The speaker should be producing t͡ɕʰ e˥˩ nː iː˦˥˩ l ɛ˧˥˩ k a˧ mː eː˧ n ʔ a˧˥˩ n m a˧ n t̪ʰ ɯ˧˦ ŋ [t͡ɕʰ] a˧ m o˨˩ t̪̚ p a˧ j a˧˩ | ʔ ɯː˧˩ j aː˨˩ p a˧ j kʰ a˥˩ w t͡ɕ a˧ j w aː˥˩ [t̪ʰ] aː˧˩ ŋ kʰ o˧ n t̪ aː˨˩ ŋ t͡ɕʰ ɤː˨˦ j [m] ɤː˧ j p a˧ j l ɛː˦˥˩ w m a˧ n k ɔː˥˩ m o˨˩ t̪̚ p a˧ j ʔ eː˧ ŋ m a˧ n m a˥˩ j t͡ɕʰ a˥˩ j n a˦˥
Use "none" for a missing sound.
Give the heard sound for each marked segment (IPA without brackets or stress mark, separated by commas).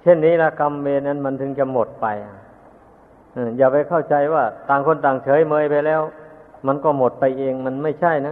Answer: t͡ɕ, t̪, m